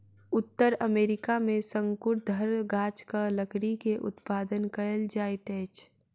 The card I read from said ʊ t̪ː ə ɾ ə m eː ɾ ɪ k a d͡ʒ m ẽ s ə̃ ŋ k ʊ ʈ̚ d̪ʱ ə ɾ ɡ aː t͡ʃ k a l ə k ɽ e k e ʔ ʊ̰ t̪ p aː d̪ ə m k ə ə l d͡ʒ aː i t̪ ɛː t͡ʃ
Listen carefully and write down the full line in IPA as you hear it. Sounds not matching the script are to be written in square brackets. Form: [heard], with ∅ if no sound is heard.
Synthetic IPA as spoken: ʊ t̪ː ə ɾ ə m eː ɾ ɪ k a [∅] m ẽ s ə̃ ŋ k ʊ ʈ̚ d̪ʱ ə ɾ ɡ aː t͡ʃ k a l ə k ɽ [i] k e ʔ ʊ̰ t̪ p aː d̪ ə [n] k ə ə l d͡ʒ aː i t̪ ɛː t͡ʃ